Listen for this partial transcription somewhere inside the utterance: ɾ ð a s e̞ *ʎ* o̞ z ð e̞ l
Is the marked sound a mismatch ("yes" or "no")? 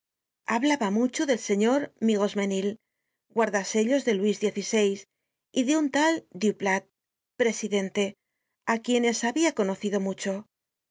no